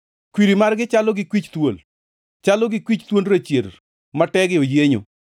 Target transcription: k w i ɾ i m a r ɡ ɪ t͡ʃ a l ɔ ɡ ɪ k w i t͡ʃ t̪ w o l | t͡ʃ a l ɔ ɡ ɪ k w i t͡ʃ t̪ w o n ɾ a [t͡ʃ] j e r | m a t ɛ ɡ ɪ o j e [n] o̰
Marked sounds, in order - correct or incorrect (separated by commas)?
correct, incorrect